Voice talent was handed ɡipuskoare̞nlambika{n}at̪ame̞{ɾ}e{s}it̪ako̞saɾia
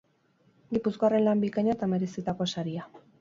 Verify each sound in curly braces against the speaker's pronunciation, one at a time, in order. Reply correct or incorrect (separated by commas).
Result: incorrect, correct, correct